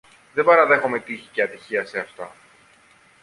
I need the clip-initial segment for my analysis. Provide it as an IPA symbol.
ð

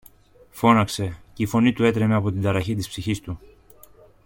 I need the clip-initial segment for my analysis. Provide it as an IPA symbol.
f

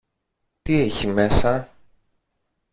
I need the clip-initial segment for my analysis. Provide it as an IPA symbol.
t̪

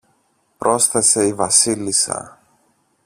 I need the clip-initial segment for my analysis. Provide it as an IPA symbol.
p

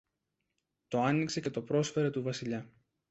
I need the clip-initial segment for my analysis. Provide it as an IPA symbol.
t̪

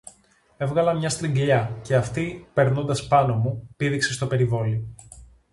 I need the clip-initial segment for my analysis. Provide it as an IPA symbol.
e̞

